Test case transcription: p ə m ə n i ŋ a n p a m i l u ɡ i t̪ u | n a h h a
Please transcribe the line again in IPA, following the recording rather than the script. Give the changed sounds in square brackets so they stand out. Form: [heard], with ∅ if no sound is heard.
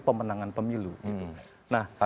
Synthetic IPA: p ə m ə n [a] ŋ a n p [ə] m i l u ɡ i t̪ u | n a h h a